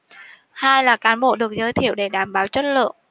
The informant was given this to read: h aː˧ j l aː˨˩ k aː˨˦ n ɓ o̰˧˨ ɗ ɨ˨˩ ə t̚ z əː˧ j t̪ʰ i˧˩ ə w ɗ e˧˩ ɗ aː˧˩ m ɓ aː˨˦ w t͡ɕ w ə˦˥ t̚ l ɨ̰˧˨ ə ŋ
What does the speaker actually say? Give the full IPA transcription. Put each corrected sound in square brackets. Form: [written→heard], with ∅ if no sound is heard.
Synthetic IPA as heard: h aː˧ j l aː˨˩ k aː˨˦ n ɓ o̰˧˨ ɗ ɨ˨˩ ə [t̚→k̚] z əː˧ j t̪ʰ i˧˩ ə w ɗ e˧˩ ɗ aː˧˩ m ɓ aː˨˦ w t͡ɕ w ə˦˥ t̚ l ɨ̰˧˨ ə ŋ